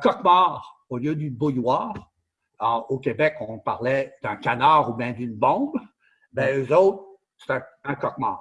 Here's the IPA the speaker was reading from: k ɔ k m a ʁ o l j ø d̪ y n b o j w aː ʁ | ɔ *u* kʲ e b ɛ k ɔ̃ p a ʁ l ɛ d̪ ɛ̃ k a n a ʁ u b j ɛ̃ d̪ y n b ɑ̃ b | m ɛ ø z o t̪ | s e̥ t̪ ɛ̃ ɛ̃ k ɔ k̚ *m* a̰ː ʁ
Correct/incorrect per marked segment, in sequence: incorrect: o, correct

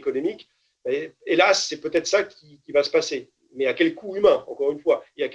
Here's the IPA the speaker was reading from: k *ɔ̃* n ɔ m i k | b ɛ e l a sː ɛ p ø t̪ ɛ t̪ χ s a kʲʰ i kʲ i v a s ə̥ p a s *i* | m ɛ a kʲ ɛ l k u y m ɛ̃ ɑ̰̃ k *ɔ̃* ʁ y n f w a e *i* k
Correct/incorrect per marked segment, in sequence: incorrect: ɔ, incorrect: e, incorrect: ɔ, incorrect: a

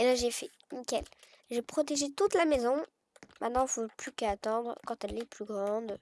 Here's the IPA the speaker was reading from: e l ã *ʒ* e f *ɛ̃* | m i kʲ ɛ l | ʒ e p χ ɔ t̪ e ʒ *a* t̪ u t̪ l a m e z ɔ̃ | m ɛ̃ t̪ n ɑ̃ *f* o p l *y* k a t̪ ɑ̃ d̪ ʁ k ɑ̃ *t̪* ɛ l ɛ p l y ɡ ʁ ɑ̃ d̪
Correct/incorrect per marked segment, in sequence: correct, incorrect: ɛ, incorrect: e, correct, correct, correct

